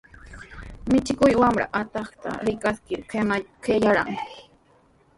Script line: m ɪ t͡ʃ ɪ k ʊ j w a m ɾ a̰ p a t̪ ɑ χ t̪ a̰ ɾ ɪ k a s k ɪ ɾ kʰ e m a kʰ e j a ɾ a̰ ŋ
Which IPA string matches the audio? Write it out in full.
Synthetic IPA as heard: m ɪ t͡ʃ ɪ k ʊ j w a m ɾ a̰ ʔ a t̪ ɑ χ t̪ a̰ ɾ ɪ k a s k ɪ ɾ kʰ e m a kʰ e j a ɾ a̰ ŋ

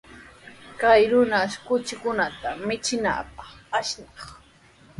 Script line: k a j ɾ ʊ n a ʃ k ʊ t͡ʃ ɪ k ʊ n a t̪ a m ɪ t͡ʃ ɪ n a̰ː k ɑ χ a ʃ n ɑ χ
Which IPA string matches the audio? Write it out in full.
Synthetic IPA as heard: k a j ɾ ʊ n a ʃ k ʊ t͡ʃ ɪ k ʊ n a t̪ a m ɪ t͡ʃ ɪ n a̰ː p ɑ χ a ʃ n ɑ χ

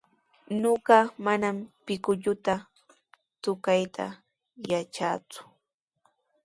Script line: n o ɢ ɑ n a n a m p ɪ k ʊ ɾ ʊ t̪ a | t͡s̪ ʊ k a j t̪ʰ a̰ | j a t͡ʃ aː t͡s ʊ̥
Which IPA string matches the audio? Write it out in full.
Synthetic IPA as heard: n o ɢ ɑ m a n a m p ɪ k ʊ ʎ ʊ t̪ a | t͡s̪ ʊ k a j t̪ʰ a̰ | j a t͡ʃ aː t͡s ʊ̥

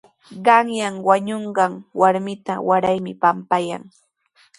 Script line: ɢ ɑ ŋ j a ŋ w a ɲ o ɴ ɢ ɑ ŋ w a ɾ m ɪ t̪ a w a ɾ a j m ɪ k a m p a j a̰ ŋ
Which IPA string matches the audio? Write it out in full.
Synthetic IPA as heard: ɢ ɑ ŋ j a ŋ w a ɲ o ɴ ɢ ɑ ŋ w a ɾ m ɪ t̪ a w a ɾ a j m ɪ p a m p a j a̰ ŋ

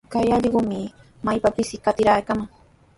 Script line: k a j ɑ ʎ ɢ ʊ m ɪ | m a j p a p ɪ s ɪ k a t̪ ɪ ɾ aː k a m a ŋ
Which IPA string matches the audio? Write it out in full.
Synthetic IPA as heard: k a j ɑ ʎ ɢ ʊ m ɪ | m a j p a p ɪ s ɪ k a t̪ ɪ ɾ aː k a m a ŋ

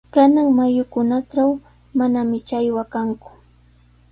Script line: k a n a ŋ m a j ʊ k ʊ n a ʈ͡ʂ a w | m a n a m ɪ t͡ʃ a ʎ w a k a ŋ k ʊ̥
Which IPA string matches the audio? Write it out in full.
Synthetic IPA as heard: k a n a ŋ m a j ʊ k ʊ n a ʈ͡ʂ a w | m a n a m ɪ t͡ʃ a j w a k a ŋ k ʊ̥

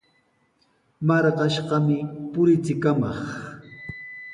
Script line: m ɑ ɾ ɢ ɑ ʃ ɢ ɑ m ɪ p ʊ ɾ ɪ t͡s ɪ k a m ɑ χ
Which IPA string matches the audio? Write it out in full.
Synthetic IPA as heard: m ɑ ɾ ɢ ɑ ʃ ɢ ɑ m ɪ p ʊ ɾ ɪ t͡s ɪ k a m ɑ χ

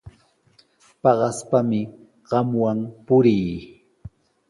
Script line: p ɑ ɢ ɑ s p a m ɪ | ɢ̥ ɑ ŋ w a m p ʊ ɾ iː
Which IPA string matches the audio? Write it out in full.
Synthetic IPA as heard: p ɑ ɢ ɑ s p a m ɪ | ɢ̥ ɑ m w a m p ʊ ɾ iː

